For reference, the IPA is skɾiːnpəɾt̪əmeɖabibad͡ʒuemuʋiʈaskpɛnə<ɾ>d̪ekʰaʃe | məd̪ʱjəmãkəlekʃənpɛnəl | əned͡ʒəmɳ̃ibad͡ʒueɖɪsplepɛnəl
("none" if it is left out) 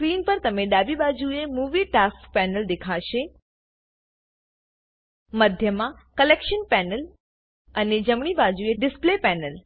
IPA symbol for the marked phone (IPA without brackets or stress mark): l